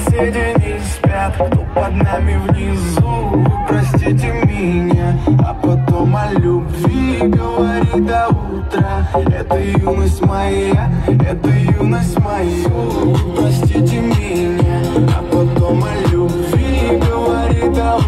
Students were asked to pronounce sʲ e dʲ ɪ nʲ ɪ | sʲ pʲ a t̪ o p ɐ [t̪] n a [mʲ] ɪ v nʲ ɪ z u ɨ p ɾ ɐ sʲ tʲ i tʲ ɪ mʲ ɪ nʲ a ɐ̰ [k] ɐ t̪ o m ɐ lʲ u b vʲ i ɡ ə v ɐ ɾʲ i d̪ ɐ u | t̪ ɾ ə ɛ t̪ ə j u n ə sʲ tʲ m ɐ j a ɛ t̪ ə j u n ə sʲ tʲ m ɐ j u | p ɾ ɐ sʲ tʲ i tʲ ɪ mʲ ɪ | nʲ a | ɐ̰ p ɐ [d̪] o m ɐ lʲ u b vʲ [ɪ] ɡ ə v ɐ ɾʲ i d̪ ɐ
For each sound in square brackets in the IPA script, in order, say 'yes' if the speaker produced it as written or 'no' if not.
no, yes, no, no, no

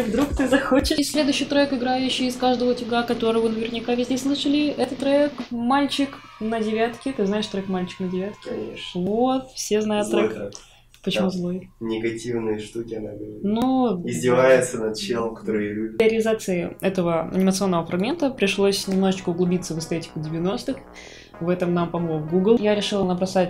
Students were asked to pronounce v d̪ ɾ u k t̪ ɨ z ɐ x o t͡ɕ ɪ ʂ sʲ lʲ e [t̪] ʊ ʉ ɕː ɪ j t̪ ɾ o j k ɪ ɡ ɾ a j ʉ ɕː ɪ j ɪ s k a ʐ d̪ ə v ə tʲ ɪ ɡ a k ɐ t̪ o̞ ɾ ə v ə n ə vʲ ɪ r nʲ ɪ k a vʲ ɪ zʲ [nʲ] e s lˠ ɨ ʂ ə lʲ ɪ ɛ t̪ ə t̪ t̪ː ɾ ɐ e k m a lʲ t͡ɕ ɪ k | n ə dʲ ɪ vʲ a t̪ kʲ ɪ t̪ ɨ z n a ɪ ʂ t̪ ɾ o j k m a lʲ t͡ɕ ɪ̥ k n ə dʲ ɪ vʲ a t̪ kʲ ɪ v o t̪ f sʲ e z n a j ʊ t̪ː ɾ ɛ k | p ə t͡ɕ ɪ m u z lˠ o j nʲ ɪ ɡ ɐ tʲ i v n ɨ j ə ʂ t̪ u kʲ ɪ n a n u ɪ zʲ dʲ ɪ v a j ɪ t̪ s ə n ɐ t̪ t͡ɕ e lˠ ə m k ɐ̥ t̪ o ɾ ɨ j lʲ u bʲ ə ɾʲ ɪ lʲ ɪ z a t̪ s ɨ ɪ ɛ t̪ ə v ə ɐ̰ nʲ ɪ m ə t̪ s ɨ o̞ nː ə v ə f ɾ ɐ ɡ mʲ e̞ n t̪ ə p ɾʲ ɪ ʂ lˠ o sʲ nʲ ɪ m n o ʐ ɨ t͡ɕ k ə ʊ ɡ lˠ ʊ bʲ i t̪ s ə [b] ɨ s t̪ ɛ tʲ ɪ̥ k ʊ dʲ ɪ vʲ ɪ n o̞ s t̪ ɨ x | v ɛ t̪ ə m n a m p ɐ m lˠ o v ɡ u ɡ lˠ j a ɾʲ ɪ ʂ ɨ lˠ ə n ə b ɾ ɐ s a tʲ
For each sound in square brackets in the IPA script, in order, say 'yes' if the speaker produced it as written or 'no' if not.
no, no, no

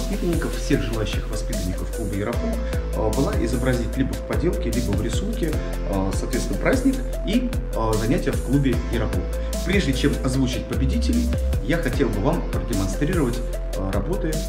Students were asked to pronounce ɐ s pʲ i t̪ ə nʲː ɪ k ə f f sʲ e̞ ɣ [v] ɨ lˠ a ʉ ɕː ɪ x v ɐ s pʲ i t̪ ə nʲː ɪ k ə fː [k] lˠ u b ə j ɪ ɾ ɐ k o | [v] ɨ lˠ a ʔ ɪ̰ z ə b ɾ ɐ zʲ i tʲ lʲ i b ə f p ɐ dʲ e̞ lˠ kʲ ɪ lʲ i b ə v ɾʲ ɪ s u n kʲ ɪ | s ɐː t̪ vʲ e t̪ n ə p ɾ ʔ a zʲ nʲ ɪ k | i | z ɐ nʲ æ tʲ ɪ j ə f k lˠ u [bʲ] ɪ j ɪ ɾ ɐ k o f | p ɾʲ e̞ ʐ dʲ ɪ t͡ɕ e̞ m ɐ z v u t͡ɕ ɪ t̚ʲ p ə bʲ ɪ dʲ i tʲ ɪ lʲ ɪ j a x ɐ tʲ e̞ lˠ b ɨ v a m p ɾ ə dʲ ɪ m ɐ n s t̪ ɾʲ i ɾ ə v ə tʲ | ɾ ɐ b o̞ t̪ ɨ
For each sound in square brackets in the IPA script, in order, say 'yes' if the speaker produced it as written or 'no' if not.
no, yes, no, yes

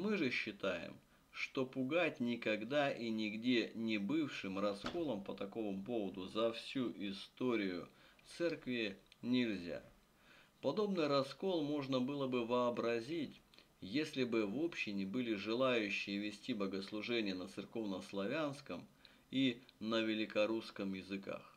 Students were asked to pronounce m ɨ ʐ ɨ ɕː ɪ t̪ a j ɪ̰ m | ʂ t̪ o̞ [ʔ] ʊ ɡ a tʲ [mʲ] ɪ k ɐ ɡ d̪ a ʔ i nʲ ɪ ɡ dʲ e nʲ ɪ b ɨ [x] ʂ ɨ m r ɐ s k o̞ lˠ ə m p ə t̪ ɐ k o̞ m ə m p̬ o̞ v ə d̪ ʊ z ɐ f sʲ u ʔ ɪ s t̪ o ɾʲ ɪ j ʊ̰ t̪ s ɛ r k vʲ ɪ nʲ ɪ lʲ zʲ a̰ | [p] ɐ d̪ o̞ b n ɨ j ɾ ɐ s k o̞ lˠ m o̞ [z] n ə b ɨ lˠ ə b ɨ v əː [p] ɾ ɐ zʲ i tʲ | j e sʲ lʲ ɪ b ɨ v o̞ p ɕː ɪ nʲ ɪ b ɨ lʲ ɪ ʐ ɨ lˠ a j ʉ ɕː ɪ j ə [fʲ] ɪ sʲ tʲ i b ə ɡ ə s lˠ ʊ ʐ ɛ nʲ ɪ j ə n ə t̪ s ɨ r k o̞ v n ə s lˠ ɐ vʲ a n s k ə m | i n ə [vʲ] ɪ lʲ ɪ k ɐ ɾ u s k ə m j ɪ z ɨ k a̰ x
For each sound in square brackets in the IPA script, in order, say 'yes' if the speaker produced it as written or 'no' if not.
no, no, no, yes, no, no, no, yes

